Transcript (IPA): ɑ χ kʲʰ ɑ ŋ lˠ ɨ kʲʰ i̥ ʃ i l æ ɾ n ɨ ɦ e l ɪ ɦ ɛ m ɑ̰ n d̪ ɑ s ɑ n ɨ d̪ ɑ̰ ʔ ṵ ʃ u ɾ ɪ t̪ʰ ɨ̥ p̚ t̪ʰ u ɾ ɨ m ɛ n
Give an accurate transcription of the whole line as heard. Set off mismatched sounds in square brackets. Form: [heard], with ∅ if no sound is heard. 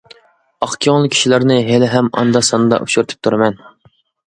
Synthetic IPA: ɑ χ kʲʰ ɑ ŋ lˠ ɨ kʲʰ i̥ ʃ i l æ ɾ n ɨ ɦ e l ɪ ɦ ɛ m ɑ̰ n d̪ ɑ s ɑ n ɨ d̪ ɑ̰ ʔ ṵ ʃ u ɾ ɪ t̪ʰ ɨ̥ p̚ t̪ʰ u ɾ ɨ m ɛ n